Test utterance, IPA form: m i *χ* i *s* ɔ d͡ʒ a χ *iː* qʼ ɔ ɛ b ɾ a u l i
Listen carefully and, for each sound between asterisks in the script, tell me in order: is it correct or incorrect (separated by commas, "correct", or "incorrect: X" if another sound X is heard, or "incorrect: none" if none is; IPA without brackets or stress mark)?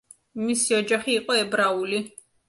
incorrect: s, incorrect: none, correct